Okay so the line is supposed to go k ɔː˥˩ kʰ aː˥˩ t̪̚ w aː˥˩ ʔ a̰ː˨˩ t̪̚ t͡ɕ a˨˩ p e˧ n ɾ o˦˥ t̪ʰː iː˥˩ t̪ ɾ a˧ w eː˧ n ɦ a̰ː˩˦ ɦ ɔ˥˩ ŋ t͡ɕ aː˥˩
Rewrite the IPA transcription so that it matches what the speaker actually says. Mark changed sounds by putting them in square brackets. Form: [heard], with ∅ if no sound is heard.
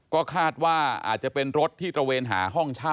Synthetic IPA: k ɔː˥˩ kʰ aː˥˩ t̪̚ w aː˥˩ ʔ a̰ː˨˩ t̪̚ t͡ɕ a˨˩ p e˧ n ɾ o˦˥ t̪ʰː iː˥˩ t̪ ɾ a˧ w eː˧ n ɦ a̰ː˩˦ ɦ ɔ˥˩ ŋ [t͡ɕʰ] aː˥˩